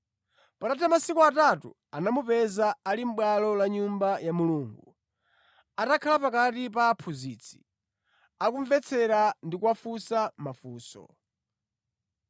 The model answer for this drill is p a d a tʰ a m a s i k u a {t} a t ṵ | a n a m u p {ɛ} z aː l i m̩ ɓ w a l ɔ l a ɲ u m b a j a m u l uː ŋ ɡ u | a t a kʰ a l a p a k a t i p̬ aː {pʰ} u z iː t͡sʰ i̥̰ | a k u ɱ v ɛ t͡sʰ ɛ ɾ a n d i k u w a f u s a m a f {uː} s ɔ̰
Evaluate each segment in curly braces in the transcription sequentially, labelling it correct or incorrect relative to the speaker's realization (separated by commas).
correct, correct, correct, correct